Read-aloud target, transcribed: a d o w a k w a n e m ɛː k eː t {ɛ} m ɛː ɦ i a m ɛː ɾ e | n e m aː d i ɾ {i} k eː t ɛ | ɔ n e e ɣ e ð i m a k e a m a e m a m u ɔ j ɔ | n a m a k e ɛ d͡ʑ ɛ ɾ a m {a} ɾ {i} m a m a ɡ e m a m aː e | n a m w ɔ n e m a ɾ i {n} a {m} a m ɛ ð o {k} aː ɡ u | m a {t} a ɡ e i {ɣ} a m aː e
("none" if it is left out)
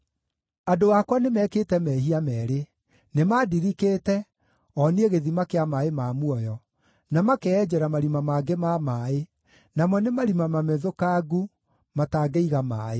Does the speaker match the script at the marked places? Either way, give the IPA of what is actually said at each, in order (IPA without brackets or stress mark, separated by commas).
ɛ, i, a, i, m, m, k, t, ɣ